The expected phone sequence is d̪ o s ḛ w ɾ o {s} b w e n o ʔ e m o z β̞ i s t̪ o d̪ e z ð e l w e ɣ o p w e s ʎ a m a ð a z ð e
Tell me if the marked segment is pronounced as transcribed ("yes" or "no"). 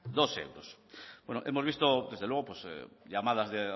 yes